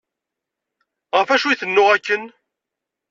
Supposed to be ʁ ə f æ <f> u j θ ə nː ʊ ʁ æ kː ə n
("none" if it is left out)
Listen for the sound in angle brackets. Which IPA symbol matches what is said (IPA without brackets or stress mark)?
ʃ